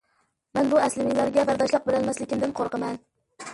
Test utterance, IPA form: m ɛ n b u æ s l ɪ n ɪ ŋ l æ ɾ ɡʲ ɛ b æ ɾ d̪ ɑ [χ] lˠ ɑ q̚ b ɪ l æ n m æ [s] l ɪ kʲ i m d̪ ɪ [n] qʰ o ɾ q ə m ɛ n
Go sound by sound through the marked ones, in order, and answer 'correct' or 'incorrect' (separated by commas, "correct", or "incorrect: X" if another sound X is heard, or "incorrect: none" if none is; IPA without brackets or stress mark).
incorrect: ʃ, correct, correct